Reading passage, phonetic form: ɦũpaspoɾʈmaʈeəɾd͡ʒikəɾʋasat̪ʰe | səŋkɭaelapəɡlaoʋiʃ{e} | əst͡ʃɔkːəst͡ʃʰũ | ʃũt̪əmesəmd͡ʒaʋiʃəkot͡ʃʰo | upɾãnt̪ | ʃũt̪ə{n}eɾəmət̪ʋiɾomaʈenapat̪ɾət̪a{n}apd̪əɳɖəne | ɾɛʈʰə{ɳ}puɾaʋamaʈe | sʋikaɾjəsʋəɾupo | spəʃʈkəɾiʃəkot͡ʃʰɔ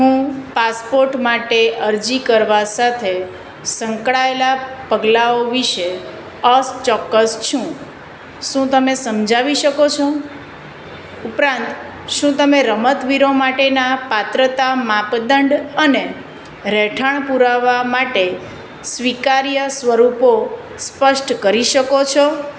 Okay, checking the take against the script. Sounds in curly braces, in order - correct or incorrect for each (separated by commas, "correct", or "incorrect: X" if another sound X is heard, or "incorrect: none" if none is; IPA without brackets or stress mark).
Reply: correct, incorrect: m, incorrect: m, correct